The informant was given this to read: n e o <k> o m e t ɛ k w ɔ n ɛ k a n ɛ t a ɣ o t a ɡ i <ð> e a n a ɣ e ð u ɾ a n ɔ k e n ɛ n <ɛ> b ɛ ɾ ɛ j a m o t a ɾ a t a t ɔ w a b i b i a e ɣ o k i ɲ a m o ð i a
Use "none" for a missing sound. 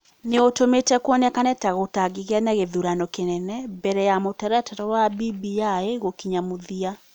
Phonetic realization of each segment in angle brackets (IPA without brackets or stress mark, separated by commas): t, ɣ, ɛ